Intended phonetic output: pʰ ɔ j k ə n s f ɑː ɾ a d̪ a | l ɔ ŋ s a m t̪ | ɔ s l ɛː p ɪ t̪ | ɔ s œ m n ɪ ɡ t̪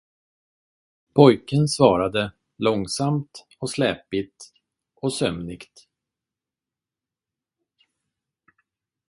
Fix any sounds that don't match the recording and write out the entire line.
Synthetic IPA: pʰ ɔ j k ə n s v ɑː ɾ a d̪ ə | l ɔ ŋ s a m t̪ | ɔ s l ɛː p ɪ t̪ | ɔ s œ m n ɪ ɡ t̪